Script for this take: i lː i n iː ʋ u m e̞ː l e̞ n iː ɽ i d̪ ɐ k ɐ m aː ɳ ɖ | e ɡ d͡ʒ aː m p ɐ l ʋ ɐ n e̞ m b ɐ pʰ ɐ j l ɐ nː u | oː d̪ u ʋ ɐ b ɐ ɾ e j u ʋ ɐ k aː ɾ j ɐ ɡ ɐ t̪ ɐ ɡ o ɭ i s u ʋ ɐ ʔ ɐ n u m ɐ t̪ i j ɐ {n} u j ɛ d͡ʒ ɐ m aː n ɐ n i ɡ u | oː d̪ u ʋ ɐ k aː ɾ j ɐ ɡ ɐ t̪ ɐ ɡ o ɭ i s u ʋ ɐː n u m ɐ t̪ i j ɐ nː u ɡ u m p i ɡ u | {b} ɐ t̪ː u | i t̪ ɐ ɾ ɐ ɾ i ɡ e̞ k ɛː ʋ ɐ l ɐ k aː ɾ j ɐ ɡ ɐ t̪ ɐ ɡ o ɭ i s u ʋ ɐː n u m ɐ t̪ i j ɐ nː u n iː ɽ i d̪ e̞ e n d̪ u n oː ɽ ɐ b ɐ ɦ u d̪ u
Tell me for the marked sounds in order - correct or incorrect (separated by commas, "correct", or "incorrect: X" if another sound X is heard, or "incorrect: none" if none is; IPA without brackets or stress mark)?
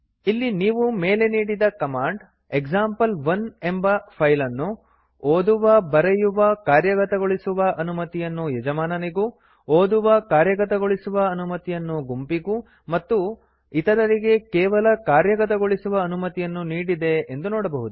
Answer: incorrect: nː, incorrect: m